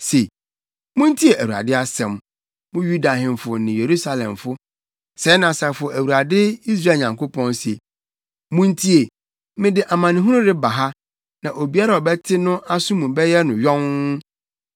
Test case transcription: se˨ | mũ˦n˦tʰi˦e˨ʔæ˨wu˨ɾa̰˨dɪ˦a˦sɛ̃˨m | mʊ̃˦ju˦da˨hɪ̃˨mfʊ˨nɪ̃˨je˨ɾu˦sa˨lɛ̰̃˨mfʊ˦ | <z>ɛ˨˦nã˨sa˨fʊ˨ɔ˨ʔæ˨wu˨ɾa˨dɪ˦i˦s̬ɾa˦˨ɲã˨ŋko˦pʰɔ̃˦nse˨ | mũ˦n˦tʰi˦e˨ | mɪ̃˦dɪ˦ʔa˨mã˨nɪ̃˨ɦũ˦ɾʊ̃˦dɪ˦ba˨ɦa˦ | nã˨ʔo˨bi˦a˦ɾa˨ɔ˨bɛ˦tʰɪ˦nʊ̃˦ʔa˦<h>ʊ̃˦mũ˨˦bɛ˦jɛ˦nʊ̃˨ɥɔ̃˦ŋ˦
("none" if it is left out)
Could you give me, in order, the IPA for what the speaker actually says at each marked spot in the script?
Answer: s, s

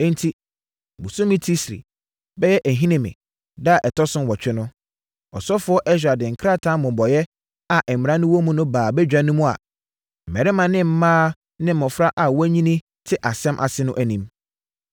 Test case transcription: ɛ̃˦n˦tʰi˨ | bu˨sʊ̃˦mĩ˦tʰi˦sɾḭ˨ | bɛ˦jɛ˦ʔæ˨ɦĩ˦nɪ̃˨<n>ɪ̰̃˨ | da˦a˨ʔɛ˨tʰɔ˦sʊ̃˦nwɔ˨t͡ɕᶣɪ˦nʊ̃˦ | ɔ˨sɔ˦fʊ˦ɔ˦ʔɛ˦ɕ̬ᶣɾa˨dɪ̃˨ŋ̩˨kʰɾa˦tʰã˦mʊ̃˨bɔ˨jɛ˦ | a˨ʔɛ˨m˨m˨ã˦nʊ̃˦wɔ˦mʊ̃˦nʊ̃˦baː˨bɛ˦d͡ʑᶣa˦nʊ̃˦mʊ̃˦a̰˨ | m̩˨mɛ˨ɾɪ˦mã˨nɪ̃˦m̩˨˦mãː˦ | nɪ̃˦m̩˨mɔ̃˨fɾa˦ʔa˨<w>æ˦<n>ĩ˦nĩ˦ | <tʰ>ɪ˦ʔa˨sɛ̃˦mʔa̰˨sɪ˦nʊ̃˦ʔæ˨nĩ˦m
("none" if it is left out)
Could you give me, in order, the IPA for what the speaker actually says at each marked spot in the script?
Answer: m, w, ɲ, tʰ

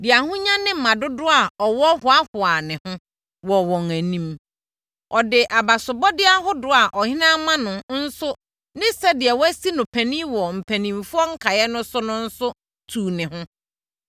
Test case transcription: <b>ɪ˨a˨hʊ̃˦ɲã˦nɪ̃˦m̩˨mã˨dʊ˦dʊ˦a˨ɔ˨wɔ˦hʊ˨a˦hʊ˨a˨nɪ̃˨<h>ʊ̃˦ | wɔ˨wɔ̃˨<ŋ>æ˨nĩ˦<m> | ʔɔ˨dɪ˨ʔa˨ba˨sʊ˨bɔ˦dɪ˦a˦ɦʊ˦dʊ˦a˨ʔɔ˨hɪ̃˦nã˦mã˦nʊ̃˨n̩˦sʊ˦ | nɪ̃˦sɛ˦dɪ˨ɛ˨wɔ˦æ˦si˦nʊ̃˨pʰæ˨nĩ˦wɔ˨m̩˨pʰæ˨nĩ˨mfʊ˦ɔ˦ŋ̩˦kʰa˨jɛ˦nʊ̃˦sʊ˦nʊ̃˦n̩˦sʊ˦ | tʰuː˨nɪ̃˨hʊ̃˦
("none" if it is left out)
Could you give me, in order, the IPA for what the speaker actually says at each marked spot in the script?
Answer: d, h, ŋ, m

